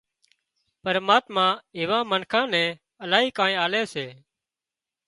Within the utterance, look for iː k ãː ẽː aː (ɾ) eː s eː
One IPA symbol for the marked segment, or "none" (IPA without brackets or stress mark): l